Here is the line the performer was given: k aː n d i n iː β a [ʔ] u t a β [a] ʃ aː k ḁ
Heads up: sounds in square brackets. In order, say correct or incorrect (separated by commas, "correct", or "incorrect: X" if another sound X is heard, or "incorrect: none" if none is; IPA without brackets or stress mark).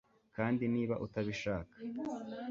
correct, incorrect: i